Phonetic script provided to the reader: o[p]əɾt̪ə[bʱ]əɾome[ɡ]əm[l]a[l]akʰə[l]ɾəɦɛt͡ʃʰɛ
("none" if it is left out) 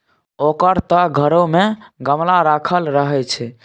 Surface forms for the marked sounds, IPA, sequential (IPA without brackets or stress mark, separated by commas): k, ɡʱ, ɡ, l, ɾ, l